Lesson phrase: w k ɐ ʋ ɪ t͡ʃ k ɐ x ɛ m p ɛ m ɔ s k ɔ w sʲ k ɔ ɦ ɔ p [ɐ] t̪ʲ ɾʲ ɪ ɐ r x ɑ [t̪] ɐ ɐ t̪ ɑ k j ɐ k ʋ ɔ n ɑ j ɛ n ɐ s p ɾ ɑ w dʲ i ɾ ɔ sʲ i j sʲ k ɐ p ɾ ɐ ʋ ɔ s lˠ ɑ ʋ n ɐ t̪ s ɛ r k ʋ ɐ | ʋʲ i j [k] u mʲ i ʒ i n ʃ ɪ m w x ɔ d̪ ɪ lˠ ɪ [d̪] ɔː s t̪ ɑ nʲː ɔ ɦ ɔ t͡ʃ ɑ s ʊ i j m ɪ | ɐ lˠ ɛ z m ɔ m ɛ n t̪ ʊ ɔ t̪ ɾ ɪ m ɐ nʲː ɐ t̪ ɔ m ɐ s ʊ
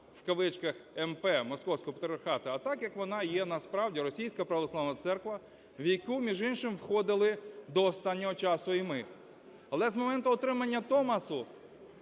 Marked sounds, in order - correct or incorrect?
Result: correct, correct, correct, correct

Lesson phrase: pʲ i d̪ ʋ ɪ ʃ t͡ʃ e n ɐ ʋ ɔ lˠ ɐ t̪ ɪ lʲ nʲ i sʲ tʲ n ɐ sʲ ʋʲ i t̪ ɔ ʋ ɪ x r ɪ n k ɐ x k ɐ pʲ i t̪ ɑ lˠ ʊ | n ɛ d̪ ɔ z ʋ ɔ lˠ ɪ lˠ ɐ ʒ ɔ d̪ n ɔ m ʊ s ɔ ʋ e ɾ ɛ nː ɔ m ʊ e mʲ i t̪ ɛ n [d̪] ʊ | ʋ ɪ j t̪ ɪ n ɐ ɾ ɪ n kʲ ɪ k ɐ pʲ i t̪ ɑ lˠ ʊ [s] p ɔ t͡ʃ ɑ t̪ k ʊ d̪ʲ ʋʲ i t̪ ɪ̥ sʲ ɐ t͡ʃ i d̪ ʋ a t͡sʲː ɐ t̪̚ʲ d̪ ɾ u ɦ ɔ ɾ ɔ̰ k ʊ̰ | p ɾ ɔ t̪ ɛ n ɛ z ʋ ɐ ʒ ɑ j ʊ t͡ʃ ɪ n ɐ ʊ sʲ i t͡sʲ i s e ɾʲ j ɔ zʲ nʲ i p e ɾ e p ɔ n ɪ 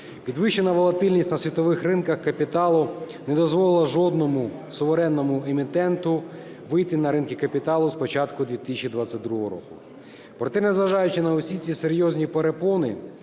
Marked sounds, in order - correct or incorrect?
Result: incorrect: t̪, correct

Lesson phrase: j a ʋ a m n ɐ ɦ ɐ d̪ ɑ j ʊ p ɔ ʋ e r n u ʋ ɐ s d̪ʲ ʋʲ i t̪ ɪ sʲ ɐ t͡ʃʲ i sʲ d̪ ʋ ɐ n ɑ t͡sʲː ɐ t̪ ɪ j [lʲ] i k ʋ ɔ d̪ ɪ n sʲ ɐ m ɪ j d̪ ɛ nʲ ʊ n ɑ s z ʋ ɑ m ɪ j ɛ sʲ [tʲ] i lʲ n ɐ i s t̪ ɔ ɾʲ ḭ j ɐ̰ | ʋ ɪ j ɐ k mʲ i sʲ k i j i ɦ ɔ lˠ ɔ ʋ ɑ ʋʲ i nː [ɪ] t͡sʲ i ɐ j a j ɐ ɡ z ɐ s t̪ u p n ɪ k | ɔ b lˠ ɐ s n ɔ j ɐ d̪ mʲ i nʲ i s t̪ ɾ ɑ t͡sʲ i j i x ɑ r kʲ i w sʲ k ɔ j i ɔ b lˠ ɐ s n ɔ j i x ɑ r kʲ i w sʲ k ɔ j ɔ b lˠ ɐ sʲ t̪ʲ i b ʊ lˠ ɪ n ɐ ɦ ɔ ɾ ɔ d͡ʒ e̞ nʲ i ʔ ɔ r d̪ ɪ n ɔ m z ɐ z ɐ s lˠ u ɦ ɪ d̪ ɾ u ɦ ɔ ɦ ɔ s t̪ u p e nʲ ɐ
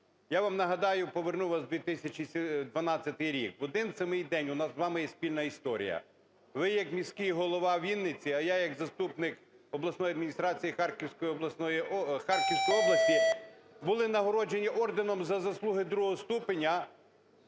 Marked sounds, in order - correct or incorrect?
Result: incorrect: ɾʲ, incorrect: pʲ, correct

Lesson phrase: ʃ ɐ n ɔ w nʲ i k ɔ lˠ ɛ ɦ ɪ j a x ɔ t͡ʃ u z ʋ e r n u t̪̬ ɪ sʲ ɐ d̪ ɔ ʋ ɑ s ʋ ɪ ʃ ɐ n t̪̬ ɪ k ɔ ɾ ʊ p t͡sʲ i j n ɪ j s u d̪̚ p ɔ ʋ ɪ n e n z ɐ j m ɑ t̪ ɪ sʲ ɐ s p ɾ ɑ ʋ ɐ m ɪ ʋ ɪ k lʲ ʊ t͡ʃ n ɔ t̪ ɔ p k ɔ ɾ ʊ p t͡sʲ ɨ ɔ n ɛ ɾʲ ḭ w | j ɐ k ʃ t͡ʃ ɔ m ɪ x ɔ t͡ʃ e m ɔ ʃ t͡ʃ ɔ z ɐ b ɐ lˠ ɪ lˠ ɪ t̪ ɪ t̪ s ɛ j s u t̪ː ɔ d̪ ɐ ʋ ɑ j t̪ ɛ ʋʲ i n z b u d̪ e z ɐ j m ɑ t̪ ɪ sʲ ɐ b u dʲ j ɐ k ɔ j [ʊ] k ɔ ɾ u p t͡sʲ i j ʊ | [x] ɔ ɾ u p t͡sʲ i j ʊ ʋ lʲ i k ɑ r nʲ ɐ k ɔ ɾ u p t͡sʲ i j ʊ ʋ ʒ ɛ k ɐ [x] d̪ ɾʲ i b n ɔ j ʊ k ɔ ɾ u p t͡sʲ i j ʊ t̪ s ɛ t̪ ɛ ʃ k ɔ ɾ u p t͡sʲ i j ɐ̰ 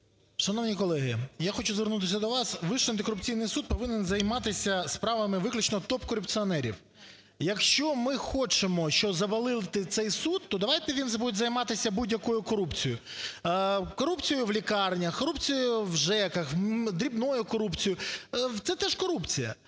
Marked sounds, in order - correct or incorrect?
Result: correct, incorrect: k, correct

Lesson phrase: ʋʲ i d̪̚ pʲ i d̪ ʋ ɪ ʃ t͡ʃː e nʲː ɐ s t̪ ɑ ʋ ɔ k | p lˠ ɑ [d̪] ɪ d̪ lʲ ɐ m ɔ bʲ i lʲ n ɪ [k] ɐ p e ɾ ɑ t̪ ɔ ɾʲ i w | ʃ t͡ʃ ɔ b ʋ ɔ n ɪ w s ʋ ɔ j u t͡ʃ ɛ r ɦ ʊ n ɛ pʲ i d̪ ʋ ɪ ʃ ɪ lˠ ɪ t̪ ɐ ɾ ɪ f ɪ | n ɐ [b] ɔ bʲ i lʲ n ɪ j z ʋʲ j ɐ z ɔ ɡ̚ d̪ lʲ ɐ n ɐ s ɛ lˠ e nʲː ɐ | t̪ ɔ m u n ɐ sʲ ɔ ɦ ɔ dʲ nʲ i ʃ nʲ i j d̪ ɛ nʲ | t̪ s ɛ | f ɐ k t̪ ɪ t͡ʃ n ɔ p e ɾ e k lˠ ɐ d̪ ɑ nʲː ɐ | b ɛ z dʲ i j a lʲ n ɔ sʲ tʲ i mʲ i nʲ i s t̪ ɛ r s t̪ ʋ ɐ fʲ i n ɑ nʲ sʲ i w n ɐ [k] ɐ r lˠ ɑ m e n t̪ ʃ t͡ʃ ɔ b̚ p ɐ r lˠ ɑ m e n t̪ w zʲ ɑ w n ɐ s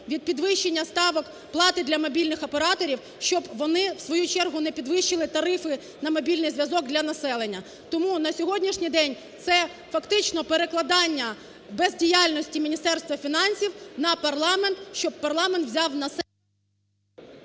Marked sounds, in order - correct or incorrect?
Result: incorrect: t̪, incorrect: x, incorrect: m, incorrect: p

